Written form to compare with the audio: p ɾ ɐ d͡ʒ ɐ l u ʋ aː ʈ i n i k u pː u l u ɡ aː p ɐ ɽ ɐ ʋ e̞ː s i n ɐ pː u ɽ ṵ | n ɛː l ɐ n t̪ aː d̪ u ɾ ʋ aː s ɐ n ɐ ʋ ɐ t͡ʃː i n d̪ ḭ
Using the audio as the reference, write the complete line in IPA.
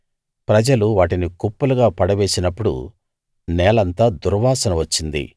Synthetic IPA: p ɾ ɐ d͡ʒ ɐ l u ʋ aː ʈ i n i k u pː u l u ɡ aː p ɐ ɽ ɐ ʋ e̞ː s i n ɐ pː u ɽ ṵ | n ɛː l ɐ n t̪ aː d̪ u ɾ ʋ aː s ɐ n ɐ ʋ ɐ t͡ʃː i n d̪ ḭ

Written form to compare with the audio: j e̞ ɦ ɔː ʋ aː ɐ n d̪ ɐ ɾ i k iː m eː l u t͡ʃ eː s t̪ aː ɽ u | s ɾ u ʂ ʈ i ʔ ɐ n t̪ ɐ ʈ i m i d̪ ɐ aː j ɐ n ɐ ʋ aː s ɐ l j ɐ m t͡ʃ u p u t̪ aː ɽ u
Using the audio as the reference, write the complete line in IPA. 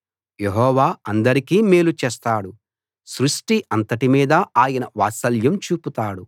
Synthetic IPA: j e̞ ɦ ɔː ʋ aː ɐ n d̪ ɐ ɾ i k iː m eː l u t͡ʃ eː s t̪ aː ɽ u | s ɾ u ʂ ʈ i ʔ ɐ n t̪ ɐ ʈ i m iː d̪ ɐ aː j ɐ n ɐ ʋ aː s ɐ l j ɐ m t͡ʃ uː p u t̪ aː ɽ u

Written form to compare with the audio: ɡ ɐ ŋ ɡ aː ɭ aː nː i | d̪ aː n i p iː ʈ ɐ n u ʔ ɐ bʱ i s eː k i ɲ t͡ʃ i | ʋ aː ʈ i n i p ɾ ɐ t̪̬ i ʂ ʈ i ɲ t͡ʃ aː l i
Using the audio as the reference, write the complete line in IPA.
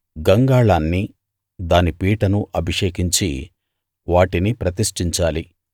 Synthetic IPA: ɡ ɐ ŋ ɡ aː ɭ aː nː i | d̪ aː n i p iː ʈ ɐ n u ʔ ɐ bʱ i ʂ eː k i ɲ t͡ʃ i | ʋ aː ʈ i n i p ɾ ɐ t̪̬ i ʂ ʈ i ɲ t͡ʃ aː l i

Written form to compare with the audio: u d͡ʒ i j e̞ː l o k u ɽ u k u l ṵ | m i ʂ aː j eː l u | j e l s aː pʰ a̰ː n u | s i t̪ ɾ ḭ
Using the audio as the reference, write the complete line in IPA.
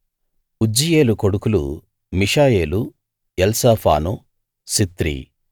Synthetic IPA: u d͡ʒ i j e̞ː l u k o ɽ u k u l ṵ | m i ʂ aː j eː l u | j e l s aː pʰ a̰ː n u | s i t̪ ɾ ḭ

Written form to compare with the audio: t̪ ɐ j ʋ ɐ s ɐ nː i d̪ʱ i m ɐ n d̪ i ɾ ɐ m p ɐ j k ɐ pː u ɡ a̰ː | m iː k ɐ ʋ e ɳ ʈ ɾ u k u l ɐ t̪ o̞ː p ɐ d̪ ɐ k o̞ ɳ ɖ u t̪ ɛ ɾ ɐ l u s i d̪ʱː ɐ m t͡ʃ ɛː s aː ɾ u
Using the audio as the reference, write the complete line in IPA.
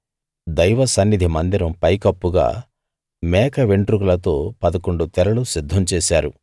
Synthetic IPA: d̪ ɐ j ʋ ɐ s ɐ nː i d̪ʱ i m ɐ n d̪ i ɾ ɐ m p ɐ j k ɐ pː u ɡ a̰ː | m ɛː k ɐ ʋ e ɳ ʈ ɾ u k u l ɐ t̪ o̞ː p ɐ d̪ ɐ k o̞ ɳ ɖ u t̪ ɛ ɾ ɐ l u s i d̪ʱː ɐ m t͡ʃ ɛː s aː ɾ u

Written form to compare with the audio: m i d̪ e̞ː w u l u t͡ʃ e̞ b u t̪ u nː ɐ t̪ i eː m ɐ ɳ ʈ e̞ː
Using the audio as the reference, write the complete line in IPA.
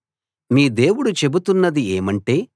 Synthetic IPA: m iː d̪ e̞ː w u ɽ u t͡ʃ e̞ b u t̪ u nː ɐ d̪ i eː m ɐ ɳ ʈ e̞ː

